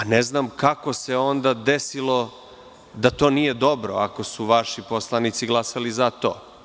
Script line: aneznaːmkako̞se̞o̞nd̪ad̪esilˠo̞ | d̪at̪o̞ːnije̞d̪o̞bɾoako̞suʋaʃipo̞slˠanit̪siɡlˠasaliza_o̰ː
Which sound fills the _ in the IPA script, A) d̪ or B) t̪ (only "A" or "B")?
B